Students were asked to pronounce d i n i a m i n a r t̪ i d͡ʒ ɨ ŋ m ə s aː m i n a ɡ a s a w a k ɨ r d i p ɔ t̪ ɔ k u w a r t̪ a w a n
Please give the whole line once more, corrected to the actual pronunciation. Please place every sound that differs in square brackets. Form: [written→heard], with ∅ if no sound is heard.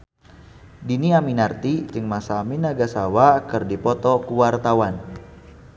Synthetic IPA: d i n i a m i n a r t̪ i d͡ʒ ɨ ŋ m [ə→a] s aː m i n a ɡ a s a w a k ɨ r d i p ɔ t̪ ɔ k u w a r t̪ a w a n